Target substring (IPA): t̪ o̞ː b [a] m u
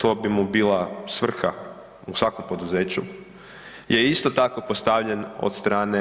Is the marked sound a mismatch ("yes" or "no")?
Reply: yes